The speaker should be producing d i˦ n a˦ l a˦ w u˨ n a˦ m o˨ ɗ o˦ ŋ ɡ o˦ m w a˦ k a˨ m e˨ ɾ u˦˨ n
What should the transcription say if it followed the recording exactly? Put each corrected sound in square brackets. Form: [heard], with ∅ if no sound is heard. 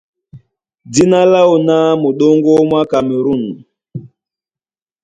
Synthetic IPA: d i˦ n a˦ l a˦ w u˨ n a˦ m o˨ ɗ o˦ ŋ ɡ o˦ m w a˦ k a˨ m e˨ ɾ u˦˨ n